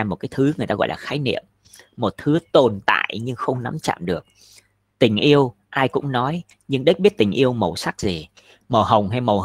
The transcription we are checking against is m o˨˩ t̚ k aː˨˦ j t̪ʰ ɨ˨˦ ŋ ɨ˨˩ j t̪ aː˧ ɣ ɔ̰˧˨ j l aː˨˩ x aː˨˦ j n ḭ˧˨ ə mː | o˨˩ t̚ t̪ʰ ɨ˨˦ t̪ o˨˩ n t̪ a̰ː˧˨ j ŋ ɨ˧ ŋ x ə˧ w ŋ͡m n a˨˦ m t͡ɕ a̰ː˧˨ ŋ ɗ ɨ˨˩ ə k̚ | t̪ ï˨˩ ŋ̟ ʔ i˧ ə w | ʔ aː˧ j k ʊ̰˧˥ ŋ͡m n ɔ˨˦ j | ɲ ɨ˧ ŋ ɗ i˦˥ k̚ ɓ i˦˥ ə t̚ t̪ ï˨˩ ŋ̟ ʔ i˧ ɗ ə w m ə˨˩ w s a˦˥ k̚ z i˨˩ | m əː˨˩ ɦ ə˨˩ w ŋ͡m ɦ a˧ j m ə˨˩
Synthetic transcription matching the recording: m o˨˩ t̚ k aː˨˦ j t̪ʰ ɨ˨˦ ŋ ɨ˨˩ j t̪ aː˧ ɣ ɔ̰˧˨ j l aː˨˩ x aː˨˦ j n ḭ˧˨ ə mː | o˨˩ t̚ t̪ʰ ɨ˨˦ t̪ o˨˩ n t̪ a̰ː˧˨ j ɲ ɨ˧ ŋ x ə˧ w ŋ͡m n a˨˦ m t͡ɕ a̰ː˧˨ m ɗ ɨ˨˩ ə k̚ | t̪ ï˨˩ ŋ̟ ʔ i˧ ə w | ʔ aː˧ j k ʊ̰˧˥ ŋ͡m n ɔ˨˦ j | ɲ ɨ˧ ŋ ɗ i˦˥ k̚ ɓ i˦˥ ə t̚ t̪ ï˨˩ ŋ̟ ʔ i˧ ə w m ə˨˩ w s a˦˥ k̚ z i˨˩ | m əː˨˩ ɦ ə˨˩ w ŋ͡m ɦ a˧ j m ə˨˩